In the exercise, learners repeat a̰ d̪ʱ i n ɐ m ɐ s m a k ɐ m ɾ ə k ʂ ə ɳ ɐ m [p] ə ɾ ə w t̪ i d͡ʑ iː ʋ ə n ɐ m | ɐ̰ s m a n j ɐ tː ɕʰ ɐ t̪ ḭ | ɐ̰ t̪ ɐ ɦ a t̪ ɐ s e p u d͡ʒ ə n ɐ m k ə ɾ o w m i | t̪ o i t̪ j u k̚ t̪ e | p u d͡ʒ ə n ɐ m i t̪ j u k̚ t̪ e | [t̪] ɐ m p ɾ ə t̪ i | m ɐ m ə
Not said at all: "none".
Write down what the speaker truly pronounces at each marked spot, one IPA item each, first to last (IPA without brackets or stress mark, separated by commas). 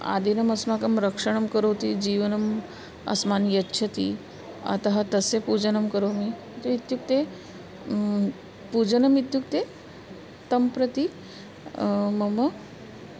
k, t̪